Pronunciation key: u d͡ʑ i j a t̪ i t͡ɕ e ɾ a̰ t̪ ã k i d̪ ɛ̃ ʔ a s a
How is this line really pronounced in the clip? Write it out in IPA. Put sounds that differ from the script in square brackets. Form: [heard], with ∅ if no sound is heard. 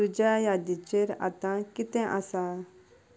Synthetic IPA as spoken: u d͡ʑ [a] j a [d̪] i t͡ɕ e ɾ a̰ t̪ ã k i [t̪] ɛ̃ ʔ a s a